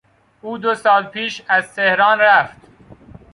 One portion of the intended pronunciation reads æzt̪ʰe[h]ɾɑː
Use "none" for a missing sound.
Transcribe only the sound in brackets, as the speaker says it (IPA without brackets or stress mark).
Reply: h